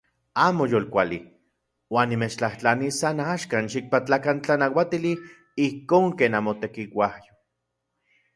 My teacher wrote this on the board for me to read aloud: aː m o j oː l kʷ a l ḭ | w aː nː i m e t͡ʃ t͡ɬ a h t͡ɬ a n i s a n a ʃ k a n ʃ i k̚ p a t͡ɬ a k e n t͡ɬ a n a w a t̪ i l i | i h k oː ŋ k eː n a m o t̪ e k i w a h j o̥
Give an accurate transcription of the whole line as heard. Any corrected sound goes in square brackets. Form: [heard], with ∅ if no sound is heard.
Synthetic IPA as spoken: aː m o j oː l kʷ a l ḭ | w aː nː i m e t͡ʃ t͡ɬ a h t͡ɬ a n i s a n a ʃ k a n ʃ i k̚ p a t͡ɬ a k [a] n t͡ɬ a n a w a t̪ i l i | i h k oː ŋ k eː n a m o t̪ e k i w a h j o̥